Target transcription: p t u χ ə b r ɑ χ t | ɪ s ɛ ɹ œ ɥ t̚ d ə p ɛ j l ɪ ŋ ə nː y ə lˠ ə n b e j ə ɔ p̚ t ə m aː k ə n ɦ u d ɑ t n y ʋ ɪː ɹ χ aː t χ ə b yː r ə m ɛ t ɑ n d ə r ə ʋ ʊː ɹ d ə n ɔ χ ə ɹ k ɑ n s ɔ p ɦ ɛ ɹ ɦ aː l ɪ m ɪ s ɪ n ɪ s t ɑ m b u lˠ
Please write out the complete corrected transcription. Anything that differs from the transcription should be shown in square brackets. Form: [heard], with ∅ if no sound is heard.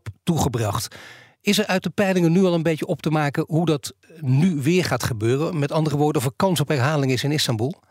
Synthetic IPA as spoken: p t u χ ə b r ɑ χ t | ɪ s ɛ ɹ œ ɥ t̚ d ə p ɛ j l ɪ ŋ ə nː y [ɑ] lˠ ə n b e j ə ɔ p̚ t ə m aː k ə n ɦ u d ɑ t n y ʋ ɪː ɹ χ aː t χ ə b [øː] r ə m ɛ t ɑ n d ə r ə ʋ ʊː ɹ d ə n ɔ [f] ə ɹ k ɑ n s ɔ p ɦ ɛ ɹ ɦ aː l ɪ [ŋ] ɪ s ɪ n ɪ s t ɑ m b u lˠ